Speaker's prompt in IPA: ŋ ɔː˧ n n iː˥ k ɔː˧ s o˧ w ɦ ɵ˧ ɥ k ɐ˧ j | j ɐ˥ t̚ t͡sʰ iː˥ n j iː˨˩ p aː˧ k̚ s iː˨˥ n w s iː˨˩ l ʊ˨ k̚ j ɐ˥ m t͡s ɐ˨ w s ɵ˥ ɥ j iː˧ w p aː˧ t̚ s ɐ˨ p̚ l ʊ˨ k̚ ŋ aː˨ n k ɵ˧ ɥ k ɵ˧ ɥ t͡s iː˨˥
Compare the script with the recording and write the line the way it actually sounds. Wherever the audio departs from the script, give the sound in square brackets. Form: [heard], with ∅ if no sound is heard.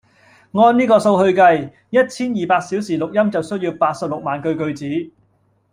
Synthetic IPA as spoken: ŋ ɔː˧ n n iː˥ k ɔː˧ s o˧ w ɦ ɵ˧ ɥ k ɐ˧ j | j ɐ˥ t̚ t͡sʰ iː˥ n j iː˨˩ p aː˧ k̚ s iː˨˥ [∅] w s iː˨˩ l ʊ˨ k̚ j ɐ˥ m t͡s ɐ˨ w s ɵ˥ ɥ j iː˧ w p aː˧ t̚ s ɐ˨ p̚ l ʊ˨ k̚ [m] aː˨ n k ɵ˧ ɥ k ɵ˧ ɥ t͡s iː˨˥

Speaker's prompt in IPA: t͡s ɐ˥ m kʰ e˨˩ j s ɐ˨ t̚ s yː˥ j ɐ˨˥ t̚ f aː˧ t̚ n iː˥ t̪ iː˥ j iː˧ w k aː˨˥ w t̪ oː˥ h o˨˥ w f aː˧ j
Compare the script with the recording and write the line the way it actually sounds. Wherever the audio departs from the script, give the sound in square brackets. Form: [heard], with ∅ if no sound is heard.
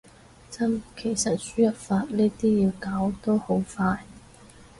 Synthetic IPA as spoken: t͡s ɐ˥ m kʰ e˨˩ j s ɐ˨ t̚ s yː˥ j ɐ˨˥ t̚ f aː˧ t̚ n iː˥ t̪ iː˥ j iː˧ w k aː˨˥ w t̪ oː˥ h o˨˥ w f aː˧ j

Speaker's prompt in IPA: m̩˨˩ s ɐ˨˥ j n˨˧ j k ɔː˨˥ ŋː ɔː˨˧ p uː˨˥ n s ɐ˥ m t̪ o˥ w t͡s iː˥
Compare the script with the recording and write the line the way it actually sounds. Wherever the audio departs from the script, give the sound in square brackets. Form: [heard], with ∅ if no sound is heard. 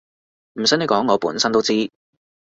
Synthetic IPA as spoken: m̩˨˩ s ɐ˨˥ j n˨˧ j k ɔː˨˥ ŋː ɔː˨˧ p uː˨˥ n s ɐ˥ [n] t̪ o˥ w t͡s iː˥

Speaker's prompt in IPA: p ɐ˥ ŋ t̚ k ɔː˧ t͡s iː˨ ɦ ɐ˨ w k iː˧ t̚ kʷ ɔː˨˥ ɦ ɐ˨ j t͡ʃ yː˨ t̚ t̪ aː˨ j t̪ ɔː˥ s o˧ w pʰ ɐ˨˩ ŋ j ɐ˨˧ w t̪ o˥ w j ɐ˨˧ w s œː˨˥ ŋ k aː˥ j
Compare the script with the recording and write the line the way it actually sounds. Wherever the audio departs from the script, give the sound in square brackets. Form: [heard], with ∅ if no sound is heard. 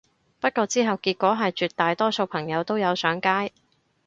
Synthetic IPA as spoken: p ɐ˥ [∅] t̚ k ɔː˧ t͡s [iː˥] ɦ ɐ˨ w k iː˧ t̚ kʷ ɔː˨˥ ɦ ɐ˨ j t͡ʃ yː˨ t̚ t̪ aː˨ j t̪ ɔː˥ s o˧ w pʰ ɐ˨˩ ŋ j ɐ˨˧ w t̪ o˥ w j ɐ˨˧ w s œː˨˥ ŋ k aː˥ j

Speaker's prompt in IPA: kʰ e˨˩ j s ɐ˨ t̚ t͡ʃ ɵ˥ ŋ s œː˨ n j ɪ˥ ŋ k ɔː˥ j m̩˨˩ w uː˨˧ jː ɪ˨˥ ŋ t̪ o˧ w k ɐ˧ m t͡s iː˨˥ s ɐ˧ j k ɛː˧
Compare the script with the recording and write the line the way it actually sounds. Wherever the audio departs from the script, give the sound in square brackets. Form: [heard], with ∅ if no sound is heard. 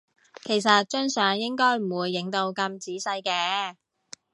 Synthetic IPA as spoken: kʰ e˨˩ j s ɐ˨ t̚ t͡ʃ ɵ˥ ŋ s œː˨ [ŋ] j ɪ˥ ŋ k ɔː˥ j m̩˨˩ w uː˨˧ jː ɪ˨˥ ŋ t̪ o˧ w k ɐ˧ m t͡s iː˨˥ s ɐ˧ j k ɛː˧

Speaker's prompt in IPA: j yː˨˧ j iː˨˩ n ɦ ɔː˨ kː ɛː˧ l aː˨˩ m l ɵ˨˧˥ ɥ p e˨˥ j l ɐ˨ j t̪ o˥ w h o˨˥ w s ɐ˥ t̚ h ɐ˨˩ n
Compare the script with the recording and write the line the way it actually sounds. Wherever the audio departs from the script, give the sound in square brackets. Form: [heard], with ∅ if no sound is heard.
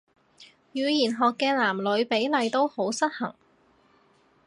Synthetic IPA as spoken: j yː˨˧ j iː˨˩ n ɦ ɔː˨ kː ɛː˧ l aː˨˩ m l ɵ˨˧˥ ɥ p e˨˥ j l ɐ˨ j t̪ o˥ w h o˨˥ w s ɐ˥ t̚ h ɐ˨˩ [ŋ]

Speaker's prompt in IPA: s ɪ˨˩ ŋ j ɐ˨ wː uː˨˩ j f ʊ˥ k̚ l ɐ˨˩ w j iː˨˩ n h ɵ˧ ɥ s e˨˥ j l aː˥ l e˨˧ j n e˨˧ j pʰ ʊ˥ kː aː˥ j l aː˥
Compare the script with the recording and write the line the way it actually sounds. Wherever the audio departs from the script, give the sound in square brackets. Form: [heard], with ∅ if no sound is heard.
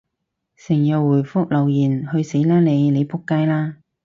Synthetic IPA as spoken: s ɪ˨˩ ŋ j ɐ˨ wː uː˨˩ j f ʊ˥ k̚ l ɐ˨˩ w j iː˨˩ n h ɵ˧ ɥ s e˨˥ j l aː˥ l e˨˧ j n e˨˧ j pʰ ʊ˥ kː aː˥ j l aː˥

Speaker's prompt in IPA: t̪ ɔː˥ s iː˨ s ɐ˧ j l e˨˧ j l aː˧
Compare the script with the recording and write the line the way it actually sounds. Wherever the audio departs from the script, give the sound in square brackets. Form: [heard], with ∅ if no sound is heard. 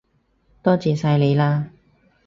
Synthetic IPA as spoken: t̪ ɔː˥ [t͡s] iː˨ s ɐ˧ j l e˨˧ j l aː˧

